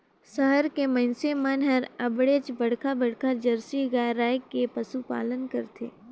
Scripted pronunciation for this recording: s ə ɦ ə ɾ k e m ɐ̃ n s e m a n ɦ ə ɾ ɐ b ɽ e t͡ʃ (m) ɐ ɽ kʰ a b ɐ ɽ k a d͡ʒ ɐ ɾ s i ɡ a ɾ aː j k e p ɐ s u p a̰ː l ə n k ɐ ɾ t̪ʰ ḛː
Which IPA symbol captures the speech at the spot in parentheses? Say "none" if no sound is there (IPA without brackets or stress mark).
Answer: b